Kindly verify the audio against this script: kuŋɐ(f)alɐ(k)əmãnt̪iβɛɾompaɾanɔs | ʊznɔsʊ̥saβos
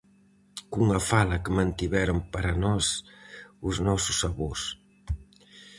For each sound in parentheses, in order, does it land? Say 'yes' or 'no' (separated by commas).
yes, yes